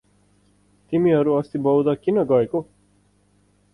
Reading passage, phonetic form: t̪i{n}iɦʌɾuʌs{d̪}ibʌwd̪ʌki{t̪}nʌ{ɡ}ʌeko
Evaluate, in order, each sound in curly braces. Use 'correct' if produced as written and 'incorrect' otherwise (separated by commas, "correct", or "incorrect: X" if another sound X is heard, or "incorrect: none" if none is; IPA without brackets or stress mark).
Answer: incorrect: m, incorrect: t̪, incorrect: none, correct